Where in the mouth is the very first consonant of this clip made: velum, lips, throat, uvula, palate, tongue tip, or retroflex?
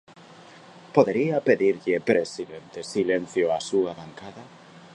lips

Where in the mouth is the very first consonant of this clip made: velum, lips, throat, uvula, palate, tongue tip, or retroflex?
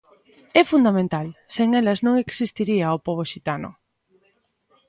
lips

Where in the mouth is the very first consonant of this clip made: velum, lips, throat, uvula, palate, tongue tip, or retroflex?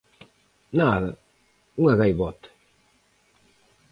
tongue tip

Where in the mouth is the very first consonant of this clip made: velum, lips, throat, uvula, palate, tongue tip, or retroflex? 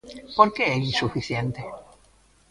lips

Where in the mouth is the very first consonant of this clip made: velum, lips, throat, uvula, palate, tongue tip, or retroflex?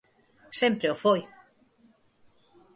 tongue tip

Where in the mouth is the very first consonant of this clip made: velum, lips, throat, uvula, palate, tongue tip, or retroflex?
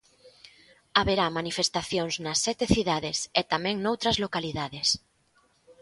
lips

